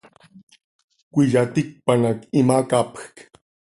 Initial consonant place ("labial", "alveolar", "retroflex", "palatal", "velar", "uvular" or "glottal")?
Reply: velar